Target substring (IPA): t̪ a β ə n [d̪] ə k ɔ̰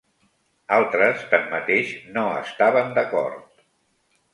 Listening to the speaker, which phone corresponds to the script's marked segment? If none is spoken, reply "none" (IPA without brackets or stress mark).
d̪